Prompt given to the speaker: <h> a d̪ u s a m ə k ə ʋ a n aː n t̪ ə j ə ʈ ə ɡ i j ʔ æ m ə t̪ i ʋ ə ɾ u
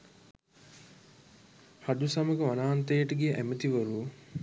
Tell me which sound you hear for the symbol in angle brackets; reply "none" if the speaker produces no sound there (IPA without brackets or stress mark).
h